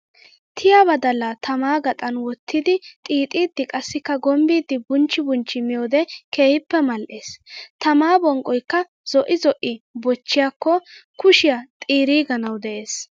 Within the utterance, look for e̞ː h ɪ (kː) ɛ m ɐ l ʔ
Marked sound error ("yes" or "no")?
yes